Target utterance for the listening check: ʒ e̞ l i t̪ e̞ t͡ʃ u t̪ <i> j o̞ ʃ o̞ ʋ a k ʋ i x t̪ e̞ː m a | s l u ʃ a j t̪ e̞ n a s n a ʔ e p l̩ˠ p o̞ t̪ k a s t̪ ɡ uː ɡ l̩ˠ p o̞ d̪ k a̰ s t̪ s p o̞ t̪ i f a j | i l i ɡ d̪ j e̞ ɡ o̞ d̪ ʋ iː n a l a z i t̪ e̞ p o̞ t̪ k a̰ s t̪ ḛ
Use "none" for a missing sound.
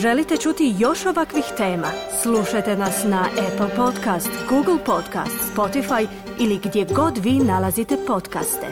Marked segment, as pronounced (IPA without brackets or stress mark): i